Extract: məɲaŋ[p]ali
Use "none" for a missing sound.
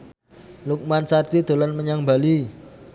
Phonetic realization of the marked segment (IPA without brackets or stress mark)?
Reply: b